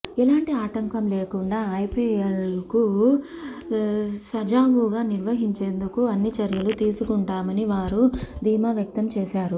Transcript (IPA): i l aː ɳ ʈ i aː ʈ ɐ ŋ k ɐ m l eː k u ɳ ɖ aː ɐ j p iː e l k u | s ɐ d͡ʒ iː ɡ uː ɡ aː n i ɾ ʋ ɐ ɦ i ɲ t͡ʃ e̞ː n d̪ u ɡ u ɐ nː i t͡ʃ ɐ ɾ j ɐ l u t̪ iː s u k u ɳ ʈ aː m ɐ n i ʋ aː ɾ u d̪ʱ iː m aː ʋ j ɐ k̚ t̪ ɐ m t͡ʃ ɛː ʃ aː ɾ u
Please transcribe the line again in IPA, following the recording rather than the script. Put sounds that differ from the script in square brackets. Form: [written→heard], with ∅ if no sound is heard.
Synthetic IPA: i l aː ɳ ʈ i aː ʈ ɐ ŋ k ɐ m l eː k u ɳ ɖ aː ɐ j p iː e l k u | s ɐ d͡ʒ [iː→aː] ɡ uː ɡ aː n i ɾ ʋ ɐ ɦ i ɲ t͡ʃ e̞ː n d̪ u [ɡ→k] u ɐ nː i t͡ʃ ɐ ɾ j ɐ l u t̪ iː s u k u ɳ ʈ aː m ɐ n i ʋ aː ɾ u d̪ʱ iː m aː ʋ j ɐ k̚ t̪ ɐ m t͡ʃ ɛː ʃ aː ɾ u

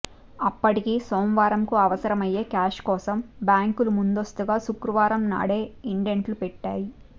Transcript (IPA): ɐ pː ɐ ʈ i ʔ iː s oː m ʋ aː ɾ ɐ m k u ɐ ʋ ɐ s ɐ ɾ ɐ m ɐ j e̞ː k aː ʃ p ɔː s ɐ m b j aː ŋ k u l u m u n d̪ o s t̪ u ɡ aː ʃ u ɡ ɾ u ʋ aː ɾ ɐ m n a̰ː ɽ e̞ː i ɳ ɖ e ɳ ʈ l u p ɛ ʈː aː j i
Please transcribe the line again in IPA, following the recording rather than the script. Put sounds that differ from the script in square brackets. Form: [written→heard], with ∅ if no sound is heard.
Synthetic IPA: ɐ pː ɐ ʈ i [ʔ→k] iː s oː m ʋ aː ɾ ɐ m k u ɐ ʋ ɐ s ɐ ɾ ɐ m ɐ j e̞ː k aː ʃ [p→k] ɔː s ɐ m b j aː ŋ k u l u m u n d̪ o s t̪ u ɡ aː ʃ u [ɡ→k] ɾ u ʋ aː ɾ ɐ m n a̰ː ɽ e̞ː i ɳ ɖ e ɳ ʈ l u p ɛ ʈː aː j i

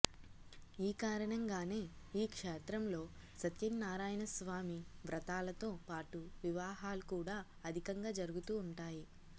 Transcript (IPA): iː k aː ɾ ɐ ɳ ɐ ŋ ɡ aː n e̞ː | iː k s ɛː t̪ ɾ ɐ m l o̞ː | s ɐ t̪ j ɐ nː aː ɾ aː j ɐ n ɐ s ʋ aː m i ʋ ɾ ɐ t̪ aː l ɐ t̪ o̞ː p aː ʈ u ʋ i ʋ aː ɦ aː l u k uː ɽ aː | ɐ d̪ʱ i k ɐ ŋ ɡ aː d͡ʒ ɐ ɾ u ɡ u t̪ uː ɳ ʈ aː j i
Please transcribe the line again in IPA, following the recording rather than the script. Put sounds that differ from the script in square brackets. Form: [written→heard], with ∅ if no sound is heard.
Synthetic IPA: iː k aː ɾ ɐ ɳ ɐ ŋ ɡ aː n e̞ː | iː k [s→ʂ] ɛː t̪ ɾ ɐ m l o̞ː | s ɐ t̪ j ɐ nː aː ɾ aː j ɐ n ɐ s ʋ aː m i ʋ ɾ ɐ t̪ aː l ɐ t̪ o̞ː p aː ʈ u ʋ i ʋ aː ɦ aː l u k uː ɽ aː | ɐ d̪ʱ i k ɐ ŋ ɡ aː d͡ʒ ɐ ɾ u ɡ u t̪ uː ɳ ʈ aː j i

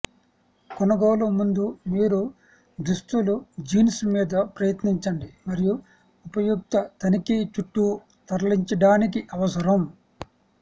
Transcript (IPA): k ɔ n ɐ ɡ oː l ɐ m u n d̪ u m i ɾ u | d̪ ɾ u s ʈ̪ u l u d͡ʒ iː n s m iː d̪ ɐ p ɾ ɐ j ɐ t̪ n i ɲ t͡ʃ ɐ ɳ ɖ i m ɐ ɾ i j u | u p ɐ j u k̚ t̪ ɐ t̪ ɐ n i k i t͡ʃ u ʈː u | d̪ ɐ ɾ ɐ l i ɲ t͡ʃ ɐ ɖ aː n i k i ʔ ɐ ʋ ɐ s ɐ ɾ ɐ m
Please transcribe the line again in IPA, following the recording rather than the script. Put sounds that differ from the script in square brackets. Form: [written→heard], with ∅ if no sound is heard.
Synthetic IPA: k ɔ n ɐ ɡ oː l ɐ m u n d̪ u m [i→iː] ɾ u | d̪ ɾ u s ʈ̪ u l u d͡ʒ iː n s m iː d̪ ɐ p ɾ ɐ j ɐ t̪ n i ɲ t͡ʃ ɐ ɳ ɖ i m ɐ ɾ i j u | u p ɐ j u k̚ t̪ ɐ t̪ ɐ n i k i t͡ʃ u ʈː u | [d̪→t̪] ɐ ɾ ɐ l i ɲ t͡ʃ ɐ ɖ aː n i k i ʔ ɐ ʋ ɐ s ɐ ɾ ɐ m

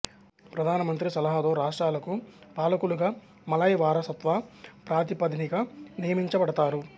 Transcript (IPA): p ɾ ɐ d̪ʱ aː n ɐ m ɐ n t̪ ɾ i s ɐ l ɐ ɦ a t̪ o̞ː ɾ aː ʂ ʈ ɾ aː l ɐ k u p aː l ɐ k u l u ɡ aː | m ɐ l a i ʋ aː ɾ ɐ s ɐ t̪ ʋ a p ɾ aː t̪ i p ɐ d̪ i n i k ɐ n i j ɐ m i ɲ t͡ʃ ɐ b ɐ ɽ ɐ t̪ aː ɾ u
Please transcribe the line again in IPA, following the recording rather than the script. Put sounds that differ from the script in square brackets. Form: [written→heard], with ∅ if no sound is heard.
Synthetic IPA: p ɾ ɐ d̪ʱ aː n ɐ m ɐ n t̪ ɾ i s ɐ l ɐ ɦ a t̪ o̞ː ɾ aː ʂ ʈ ɾ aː l ɐ k u p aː l ɐ k u l u ɡ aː | m ɐ l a [i→j] ʋ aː ɾ ɐ s ɐ t̪ ʋ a p ɾ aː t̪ i p ɐ d̪ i n i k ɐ n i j ɐ m i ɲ t͡ʃ ɐ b ɐ ɽ ɐ t̪ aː ɾ u

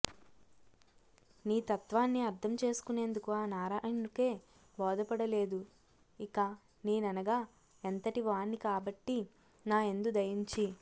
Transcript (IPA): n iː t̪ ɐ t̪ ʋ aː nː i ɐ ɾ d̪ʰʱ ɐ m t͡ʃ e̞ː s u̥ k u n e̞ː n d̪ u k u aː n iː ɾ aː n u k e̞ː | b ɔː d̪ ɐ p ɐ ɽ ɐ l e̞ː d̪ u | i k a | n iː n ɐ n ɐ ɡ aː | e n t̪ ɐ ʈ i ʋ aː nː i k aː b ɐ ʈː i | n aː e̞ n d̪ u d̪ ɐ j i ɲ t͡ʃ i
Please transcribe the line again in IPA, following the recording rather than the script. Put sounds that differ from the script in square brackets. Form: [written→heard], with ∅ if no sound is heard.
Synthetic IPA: n iː t̪ ɐ t̪ ʋ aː nː i ɐ ɾ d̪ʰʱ ɐ m t͡ʃ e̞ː s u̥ k u n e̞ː n d̪ u k u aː n [iː→aː] ɾ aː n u k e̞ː | b ɔː d̪ ɐ p ɐ ɽ ɐ l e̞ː d̪ u | i k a | n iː n ɐ n ɐ ɡ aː | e n t̪ ɐ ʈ i ʋ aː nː i k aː b ɐ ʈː i | n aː e̞ n d̪ u d̪ ɐ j i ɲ t͡ʃ i

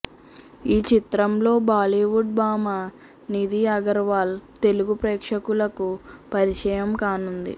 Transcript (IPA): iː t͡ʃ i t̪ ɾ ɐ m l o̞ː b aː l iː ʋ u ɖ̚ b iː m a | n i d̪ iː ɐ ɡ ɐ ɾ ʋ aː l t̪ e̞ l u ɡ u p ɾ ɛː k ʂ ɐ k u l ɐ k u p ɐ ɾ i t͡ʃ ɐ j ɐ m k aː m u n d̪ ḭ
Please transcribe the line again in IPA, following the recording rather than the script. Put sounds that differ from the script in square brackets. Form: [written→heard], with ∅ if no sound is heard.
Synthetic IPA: iː t͡ʃ i t̪ ɾ ɐ m l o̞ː b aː l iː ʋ u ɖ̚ b [iː→aː] m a | n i d̪ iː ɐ ɡ ɐ ɾ ʋ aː l t̪ e̞ l u ɡ u p ɾ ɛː k ʂ ɐ k u l ɐ k u p ɐ ɾ i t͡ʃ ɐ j ɐ m k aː [m→n] u n d̪ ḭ

